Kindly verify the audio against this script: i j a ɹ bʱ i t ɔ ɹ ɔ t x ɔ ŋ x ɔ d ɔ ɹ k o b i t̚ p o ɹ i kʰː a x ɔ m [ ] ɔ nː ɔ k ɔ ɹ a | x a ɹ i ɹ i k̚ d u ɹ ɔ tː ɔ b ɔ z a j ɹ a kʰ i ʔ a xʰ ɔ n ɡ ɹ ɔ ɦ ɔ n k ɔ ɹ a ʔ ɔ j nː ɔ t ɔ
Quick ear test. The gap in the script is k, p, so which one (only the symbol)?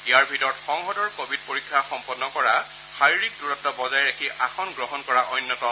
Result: p